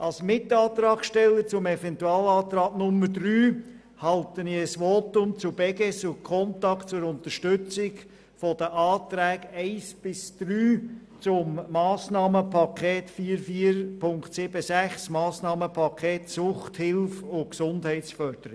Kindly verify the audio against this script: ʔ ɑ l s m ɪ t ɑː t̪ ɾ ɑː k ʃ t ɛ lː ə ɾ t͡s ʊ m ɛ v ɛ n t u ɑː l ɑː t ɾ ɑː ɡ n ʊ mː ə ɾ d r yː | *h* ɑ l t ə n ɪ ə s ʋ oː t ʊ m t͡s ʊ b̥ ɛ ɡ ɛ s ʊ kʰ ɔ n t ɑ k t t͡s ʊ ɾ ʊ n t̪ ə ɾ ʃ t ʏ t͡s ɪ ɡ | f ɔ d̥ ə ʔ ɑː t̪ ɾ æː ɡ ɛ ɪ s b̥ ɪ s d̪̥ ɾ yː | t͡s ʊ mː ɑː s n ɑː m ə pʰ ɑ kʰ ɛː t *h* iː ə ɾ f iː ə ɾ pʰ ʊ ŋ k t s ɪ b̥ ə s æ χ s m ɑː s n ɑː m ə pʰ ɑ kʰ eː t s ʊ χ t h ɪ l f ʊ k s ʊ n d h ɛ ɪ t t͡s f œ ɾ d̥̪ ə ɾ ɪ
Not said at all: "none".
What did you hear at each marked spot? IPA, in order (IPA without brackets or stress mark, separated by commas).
h, f